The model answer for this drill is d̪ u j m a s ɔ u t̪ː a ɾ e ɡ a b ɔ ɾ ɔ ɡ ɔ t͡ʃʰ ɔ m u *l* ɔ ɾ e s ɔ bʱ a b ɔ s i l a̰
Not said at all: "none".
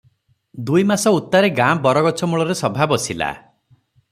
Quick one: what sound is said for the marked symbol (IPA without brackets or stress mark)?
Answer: ɭ